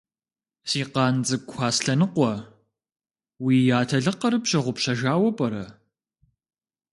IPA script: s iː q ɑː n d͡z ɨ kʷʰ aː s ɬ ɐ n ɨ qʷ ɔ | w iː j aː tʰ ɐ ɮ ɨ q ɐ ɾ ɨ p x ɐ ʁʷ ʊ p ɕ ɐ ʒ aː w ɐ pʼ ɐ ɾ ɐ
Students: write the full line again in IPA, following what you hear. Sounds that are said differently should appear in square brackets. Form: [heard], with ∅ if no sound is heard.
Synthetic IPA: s iː q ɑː n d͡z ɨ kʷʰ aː s ɬ ɐ n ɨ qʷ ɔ | w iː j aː tʰ ɐ ɮ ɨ q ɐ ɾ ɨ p [ɕ] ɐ ʁʷ ʊ p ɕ ɐ ʒ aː w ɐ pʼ ɐ ɾ ɐ